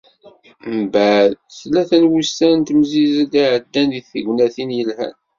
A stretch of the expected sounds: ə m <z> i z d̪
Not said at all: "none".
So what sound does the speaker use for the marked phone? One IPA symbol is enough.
z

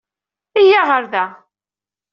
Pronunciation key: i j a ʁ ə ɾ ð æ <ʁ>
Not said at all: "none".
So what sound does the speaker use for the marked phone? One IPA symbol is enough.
none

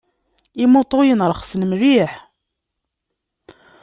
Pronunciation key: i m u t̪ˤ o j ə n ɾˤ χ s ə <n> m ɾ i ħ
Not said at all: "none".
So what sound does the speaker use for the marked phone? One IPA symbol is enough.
n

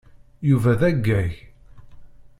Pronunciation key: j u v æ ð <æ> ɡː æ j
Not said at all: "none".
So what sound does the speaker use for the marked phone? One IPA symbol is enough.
æ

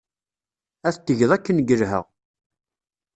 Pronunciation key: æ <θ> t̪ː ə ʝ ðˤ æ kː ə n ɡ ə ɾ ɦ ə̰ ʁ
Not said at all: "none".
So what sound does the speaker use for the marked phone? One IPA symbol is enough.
θ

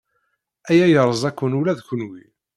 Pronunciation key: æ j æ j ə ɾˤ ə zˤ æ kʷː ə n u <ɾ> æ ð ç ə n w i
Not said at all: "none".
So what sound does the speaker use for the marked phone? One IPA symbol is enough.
l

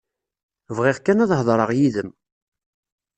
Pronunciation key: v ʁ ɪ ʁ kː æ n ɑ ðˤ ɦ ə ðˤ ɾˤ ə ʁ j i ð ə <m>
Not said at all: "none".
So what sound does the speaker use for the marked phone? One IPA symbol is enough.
m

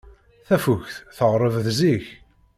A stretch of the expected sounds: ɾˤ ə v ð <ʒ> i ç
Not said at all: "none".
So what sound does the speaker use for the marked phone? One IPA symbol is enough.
z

